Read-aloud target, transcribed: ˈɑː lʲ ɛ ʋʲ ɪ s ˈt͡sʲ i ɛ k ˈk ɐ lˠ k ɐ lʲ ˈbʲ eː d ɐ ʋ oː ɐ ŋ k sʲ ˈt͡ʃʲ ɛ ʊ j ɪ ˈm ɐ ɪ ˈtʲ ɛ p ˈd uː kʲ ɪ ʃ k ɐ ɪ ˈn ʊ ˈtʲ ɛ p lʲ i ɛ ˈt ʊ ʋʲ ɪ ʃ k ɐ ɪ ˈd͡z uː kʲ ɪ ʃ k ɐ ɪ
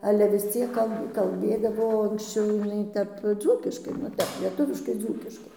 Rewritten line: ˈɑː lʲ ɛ ʋʲ ɪ s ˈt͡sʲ i ɛ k ˈk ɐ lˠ k ɐ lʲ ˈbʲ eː d ɐ ʋ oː ɐ ŋ k sʲ ˈt͡ʃʲ ɛ ʊ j ɪ ˈn ɐ ɪ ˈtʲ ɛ p ˈd͡z uː kʲ ɪ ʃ k ɐ ɪ ˈn ʊ ˈtʲ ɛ p lʲ i ɛ ˈt ʊ ʋʲ ɪ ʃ k ɐ ɪ ˈd͡z uː kʲ ɪ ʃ k ɐ ɪ